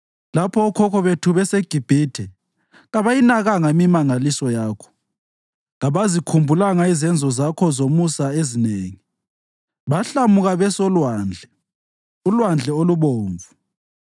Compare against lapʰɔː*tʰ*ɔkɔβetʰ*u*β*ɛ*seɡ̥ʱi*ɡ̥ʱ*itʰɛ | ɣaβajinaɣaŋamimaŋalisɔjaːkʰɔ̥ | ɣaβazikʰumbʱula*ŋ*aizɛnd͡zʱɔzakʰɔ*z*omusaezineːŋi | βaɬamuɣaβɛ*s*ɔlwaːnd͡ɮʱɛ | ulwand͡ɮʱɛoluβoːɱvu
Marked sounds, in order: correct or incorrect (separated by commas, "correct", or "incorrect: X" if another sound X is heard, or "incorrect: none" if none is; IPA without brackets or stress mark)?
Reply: incorrect: kʰ, correct, correct, incorrect: b̥ʱ, correct, correct, correct